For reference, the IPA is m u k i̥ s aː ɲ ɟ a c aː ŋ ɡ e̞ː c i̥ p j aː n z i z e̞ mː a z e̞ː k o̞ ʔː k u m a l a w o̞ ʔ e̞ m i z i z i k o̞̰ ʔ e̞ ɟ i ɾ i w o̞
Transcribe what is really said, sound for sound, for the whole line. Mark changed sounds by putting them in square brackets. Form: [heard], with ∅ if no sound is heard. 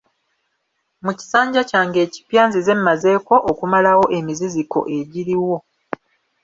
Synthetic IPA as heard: m u [c] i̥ s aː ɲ ɟ a c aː ŋ ɡ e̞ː c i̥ p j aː n z i z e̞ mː a z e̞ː k o̞ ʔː k u m a l a w o̞ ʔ e̞ m i z i z i k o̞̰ ʔ e̞ ɟ i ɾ i w o̞